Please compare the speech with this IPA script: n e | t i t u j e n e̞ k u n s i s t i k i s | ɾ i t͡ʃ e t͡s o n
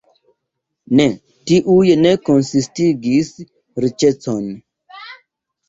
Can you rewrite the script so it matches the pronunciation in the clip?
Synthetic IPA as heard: n e | t i ʔ u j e n e̞ k o n s i s t i ɡ i s | ɾ i t͡ʃ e t͡s o n